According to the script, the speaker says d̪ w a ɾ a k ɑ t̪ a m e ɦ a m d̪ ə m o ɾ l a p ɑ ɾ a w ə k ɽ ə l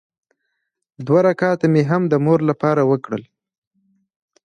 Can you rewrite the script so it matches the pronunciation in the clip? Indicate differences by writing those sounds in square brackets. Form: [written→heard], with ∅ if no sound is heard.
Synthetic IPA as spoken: d̪ w a ɾ a k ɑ t̪ a m e ɦ a m d̪ ə m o ɾ l a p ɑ ɾ a w ə k ɽ ə l